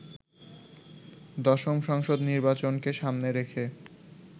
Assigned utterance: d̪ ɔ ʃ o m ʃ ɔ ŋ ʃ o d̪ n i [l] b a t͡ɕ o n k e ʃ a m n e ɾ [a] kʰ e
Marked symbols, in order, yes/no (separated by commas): no, no